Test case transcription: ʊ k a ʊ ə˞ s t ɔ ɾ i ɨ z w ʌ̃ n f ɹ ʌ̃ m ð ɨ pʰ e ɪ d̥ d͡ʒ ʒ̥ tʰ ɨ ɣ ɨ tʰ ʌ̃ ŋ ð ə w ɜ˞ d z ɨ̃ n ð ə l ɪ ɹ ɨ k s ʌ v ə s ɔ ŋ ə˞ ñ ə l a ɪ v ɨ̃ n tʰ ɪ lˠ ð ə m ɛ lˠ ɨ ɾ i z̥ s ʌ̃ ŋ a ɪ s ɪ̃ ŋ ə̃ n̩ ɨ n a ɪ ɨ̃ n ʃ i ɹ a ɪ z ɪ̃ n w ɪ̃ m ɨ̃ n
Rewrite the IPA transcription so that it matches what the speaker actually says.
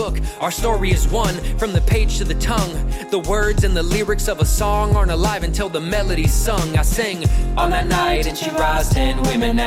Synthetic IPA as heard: ʊ k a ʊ ə˞ s t ɔ ɹ i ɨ z w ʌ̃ n f ɹ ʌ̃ m ð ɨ pʰ e ɪ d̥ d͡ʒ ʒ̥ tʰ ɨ ð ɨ tʰ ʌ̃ ŋ ð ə w ɜ˞ d z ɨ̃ n ð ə l ɪ ɹ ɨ k s ʌ v ə s ɔ̃ ŋ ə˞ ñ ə l a ɪ v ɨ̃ n tʰ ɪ lˠ ð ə m ɛ lˠ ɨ ɾ i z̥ s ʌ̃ ŋ a ɪ s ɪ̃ ŋ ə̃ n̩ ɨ n a ɪ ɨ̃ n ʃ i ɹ a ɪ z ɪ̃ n w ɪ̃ m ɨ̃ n